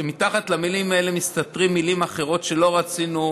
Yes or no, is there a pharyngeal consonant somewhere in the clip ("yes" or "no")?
no